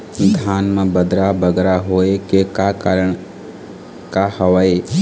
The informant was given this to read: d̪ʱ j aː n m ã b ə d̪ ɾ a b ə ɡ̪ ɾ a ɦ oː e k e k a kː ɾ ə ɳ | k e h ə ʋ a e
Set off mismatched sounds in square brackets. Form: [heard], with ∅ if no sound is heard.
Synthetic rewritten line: d̪ʱ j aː n m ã b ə d̪ ɾ a b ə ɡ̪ ɾ a ɦ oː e k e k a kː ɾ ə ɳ | k [a] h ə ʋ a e